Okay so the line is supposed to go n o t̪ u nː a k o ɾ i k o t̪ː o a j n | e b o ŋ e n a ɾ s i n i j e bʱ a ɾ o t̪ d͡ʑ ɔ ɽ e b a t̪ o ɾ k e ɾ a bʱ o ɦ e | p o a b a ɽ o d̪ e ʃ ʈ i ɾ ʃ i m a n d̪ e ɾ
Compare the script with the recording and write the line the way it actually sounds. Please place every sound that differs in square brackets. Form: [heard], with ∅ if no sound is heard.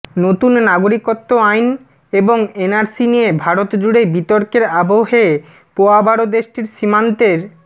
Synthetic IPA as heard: n o t̪ u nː a [ɡ] o ɾ i k o t̪ː o a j n | e b o ŋ e n a ɾ s i n i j e bʱ a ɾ o t̪ d͡ʑ [u] ɽ e b [i] t̪ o ɾ k e ɾ a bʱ o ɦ e | p o a b a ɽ o d̪ e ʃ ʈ i ɾ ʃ i m a n [t̪] e ɾ